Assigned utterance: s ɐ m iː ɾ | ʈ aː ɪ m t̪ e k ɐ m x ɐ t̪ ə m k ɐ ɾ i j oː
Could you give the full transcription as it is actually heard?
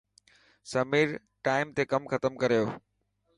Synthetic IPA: s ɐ m iː ɾ | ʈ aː ɪ m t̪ e k ɐ m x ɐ t̪ ə m k ɐ ɾ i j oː